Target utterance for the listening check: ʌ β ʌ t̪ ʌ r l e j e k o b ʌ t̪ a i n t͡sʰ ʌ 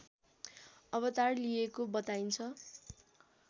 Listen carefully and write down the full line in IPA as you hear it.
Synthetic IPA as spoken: ʌ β ʌ t̪ a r l i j e k o b ʌ t̪ a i n t͡sʰ ʌ